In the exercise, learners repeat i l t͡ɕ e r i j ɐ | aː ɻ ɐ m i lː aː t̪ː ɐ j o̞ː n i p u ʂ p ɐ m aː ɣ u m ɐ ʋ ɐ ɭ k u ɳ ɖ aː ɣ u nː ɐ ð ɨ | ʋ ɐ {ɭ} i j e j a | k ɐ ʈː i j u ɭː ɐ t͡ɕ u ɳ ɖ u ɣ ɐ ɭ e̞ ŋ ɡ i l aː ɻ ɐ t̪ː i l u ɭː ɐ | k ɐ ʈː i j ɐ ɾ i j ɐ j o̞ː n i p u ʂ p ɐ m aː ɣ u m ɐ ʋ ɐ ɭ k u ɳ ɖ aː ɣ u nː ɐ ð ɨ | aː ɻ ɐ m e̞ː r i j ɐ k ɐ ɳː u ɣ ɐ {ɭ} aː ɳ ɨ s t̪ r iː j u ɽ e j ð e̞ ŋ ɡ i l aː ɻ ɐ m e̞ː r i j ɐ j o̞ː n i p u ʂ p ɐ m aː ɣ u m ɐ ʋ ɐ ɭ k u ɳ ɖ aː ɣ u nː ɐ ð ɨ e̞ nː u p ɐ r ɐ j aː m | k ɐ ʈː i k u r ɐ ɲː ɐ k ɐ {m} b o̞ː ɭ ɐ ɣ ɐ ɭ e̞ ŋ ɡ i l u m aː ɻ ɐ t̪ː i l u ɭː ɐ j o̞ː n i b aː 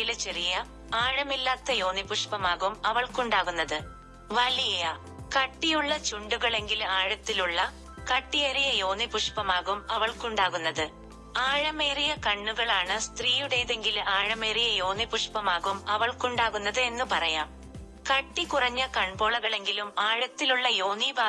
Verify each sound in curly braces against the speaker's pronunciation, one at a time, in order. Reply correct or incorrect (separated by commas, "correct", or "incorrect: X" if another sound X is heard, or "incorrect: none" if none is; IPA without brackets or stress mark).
incorrect: l, correct, incorrect: ɳ